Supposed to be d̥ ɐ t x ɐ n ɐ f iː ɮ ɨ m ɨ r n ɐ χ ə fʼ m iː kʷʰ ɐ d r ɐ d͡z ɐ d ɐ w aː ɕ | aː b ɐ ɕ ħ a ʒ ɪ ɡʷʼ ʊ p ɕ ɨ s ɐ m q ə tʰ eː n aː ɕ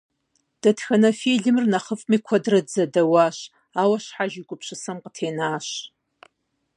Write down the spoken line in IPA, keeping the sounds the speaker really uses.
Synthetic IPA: d̥ ɐ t x ɐ n ɐ f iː ɮ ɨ m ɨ r n ɐ χ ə fʼ m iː kʷʰ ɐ d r ɐ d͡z ɐ d ɐ w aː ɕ | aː w ɐ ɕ ħ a ʒ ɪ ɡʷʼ ʊ p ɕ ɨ s ɐ m q ə tʰ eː n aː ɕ